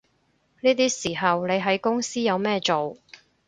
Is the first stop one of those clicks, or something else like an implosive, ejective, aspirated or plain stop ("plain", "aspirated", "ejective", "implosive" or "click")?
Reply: plain